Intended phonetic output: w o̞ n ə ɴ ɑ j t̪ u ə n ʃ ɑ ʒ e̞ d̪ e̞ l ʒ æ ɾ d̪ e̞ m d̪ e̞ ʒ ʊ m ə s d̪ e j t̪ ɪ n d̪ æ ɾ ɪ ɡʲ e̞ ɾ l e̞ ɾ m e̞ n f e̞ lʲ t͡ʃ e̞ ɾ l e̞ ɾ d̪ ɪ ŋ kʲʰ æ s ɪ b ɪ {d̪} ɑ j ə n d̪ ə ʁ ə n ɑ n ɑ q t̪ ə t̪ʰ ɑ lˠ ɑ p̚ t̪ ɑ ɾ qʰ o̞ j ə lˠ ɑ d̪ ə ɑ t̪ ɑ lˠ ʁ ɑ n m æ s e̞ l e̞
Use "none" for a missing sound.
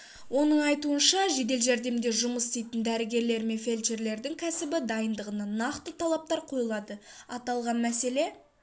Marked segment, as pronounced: d̪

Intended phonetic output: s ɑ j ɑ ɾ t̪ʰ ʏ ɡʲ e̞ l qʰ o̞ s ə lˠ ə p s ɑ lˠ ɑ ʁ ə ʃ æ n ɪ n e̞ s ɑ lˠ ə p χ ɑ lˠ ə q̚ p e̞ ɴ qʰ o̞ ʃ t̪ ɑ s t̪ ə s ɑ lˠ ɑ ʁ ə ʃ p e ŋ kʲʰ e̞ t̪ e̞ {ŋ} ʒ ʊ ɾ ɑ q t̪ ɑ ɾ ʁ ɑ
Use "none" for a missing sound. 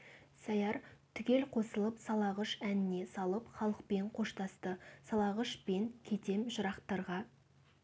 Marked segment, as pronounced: m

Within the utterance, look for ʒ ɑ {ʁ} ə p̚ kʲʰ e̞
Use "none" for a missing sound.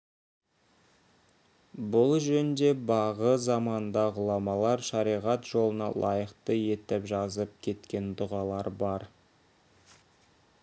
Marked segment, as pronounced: z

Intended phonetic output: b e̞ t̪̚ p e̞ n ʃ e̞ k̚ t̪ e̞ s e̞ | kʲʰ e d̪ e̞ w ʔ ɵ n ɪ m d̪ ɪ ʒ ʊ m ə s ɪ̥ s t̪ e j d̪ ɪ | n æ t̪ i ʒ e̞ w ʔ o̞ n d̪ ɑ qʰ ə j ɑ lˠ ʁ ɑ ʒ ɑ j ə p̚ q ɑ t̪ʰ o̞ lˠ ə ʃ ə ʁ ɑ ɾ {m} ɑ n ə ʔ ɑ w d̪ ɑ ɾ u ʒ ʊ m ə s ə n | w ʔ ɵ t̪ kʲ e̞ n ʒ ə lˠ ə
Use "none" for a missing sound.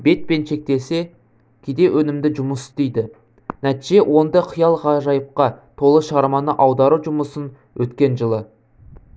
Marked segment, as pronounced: m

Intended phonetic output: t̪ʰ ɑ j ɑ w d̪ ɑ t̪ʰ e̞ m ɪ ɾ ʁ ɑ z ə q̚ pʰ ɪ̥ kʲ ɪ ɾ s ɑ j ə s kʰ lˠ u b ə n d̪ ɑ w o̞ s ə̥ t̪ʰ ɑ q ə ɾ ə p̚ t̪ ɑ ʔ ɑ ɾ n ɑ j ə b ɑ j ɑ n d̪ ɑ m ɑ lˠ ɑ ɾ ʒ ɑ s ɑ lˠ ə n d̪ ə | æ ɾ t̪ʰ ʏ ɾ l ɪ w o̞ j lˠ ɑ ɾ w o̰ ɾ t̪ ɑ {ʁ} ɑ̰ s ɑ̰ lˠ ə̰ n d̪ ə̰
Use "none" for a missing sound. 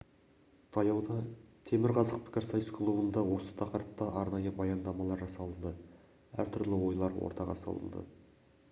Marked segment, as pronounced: ʁ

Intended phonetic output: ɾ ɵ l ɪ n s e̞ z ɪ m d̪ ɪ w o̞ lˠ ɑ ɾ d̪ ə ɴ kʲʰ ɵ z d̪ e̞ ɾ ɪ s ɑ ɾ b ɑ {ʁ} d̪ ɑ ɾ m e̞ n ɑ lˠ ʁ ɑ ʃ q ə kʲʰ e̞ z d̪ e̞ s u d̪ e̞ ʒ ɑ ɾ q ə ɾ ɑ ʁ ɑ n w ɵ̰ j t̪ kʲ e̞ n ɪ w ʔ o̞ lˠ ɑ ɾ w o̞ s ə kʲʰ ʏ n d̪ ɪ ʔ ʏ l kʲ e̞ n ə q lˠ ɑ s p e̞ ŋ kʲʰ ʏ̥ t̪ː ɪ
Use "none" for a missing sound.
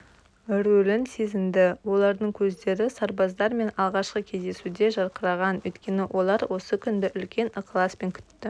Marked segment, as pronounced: z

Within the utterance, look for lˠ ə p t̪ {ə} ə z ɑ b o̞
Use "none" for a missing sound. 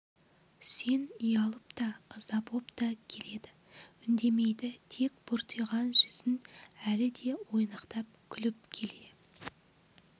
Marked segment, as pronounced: ɑ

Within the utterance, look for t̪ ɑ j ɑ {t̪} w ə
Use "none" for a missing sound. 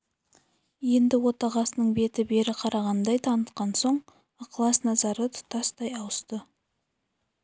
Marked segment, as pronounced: none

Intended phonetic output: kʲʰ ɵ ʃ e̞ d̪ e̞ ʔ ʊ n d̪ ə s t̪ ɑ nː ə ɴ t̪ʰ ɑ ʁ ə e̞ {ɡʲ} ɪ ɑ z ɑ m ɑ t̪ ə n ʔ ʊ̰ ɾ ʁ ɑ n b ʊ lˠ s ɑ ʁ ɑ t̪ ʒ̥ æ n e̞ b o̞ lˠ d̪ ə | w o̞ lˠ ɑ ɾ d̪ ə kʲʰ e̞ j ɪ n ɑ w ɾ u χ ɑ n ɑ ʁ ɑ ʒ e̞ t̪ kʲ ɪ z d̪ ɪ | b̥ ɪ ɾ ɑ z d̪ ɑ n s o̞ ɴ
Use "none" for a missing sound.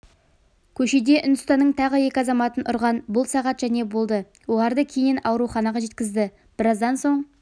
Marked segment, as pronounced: kʲ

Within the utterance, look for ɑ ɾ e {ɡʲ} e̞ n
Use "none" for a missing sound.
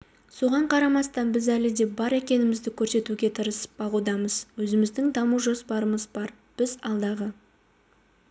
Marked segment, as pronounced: kʲ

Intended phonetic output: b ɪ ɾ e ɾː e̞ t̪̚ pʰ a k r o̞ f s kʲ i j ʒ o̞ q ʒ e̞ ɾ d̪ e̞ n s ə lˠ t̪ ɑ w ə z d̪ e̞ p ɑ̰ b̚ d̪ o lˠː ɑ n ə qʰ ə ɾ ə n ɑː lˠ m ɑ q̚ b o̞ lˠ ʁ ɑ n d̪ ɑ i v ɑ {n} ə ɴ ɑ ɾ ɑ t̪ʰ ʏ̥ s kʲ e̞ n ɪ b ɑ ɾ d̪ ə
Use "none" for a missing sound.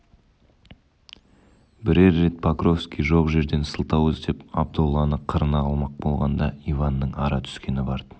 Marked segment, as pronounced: nː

